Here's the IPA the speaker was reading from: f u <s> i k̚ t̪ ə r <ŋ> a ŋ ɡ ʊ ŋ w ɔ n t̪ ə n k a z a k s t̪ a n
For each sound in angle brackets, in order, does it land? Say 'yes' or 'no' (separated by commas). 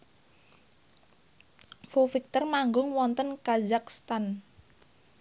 no, no